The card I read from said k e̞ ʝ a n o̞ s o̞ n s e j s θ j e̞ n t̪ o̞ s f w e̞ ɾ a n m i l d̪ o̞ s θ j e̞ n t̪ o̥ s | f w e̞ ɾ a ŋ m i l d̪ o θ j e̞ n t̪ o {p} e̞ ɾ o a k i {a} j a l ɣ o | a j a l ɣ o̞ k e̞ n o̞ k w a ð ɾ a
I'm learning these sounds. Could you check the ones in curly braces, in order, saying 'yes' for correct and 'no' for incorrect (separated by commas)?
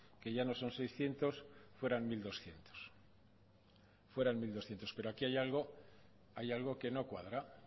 yes, yes